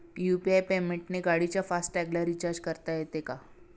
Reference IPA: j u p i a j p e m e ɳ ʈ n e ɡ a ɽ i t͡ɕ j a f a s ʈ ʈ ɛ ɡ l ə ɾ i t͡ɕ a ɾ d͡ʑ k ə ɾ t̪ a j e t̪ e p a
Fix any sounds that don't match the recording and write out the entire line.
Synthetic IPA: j u p i a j p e m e ɳ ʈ n e ɡ a ɽ i t͡ɕ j a f a s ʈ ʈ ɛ ɡ l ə ɾ i t͡ɕ a ɾ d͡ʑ k ə ɾ t̪ a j e t̪ e k a